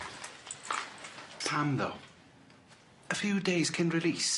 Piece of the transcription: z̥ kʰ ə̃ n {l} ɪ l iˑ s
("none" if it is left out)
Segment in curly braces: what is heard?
ɹ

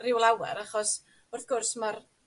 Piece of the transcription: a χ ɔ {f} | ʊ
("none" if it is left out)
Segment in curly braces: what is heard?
s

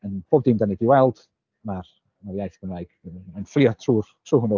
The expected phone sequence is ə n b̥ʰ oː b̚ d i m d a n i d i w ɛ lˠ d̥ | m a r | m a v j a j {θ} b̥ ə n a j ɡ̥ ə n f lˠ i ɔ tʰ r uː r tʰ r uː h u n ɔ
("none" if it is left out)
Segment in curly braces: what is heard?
θ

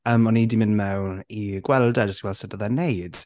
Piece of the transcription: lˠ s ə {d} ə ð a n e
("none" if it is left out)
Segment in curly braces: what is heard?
d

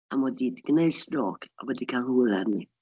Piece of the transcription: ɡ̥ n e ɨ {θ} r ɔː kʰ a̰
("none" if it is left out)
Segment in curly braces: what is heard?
s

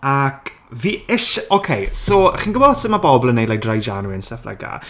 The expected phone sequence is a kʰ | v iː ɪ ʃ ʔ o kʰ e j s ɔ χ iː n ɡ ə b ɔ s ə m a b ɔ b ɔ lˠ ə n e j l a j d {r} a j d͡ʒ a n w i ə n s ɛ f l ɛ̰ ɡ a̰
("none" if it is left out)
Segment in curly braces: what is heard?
r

